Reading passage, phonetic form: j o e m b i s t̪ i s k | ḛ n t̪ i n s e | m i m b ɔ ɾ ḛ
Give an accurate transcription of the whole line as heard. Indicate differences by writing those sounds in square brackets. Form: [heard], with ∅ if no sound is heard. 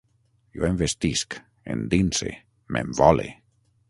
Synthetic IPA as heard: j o e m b [e] s t̪ i s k | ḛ n [d̪] i n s e | m [e] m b ɔ [l] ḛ